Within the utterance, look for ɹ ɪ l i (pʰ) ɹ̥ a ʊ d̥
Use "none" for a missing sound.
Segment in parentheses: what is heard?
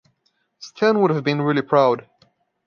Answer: pʰ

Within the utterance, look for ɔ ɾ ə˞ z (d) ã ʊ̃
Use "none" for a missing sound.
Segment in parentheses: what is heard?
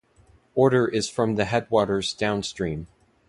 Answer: d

